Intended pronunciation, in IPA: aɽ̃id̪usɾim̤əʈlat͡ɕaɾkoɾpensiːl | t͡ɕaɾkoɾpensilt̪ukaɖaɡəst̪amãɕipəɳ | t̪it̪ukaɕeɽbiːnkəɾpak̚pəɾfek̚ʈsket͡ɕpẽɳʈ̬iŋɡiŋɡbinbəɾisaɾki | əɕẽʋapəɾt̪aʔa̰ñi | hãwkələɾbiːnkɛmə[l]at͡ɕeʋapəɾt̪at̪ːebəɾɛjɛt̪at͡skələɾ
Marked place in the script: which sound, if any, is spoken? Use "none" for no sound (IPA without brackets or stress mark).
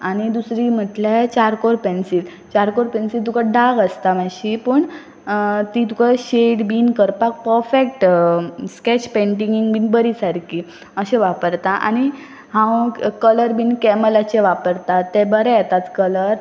l